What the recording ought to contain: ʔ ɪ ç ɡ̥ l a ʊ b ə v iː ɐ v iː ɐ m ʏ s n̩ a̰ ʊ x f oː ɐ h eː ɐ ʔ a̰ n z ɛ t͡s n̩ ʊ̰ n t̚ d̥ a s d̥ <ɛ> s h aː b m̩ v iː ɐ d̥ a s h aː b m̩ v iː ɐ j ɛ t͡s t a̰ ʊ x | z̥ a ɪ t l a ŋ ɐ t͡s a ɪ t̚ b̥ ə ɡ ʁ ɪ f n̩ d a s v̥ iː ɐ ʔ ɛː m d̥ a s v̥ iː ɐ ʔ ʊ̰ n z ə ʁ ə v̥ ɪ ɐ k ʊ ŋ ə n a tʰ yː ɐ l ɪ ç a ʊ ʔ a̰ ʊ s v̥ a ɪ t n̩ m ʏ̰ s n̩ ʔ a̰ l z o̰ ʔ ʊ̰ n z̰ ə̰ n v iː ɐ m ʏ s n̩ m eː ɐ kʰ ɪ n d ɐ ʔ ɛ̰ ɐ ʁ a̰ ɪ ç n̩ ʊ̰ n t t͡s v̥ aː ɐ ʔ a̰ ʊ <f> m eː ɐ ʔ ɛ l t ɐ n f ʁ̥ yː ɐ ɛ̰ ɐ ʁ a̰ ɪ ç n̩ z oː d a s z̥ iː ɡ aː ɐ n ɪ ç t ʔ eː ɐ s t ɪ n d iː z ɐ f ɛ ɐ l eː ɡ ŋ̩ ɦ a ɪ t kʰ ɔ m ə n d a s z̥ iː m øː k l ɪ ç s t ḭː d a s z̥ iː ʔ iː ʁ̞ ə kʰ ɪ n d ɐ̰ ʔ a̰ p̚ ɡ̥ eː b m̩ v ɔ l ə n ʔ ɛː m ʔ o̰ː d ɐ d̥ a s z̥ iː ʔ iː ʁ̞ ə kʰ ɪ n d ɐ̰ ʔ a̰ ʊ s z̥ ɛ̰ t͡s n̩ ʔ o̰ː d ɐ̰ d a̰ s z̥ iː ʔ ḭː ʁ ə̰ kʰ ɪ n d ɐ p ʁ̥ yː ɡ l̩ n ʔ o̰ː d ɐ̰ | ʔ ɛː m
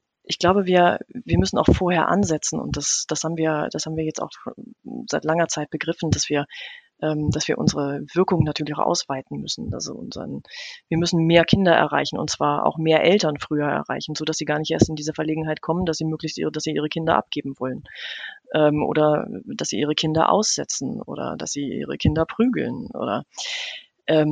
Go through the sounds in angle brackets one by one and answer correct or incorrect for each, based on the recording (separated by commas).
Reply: incorrect, incorrect